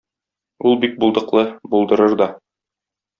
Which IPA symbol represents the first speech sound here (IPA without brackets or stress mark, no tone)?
u